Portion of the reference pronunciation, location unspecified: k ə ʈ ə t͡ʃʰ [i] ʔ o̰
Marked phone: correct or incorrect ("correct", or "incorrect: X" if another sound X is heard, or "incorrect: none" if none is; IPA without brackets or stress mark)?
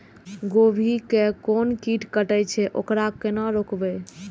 incorrect: ɛ